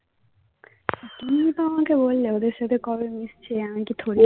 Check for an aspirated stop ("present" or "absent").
present